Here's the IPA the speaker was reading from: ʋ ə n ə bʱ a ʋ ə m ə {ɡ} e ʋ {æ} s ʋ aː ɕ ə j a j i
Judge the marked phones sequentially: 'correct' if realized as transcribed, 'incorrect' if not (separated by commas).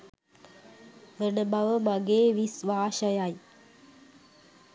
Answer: correct, incorrect